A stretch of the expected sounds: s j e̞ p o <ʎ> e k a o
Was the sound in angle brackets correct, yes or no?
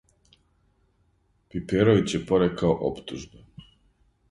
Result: no